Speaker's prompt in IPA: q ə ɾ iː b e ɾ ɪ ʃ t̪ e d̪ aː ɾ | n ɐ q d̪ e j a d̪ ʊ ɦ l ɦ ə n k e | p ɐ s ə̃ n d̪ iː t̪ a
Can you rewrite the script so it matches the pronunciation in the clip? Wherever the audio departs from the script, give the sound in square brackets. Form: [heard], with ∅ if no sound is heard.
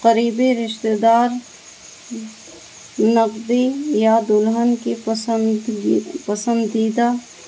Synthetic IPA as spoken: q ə ɾ iː b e ɾ ɪ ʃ t̪ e d̪ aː ɾ | n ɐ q d̪ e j a d̪ ʊ [∅] l ɦ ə n k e | p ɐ s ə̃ n d̪ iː [d̪] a